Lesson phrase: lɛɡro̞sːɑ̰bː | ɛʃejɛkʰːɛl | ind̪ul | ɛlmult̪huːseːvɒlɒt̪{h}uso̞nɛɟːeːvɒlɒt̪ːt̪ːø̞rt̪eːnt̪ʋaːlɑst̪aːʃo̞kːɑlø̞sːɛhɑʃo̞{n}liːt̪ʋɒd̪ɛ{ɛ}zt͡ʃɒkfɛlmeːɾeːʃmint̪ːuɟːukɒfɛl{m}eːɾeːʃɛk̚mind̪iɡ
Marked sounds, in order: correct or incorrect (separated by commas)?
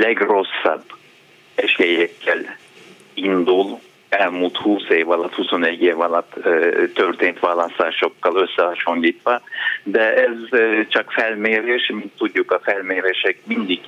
correct, correct, correct, correct